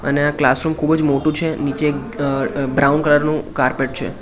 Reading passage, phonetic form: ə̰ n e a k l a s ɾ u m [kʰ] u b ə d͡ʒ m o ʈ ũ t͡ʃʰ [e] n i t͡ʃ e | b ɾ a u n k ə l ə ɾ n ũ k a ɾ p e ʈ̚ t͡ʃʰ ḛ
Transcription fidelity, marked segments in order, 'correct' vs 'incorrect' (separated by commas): correct, correct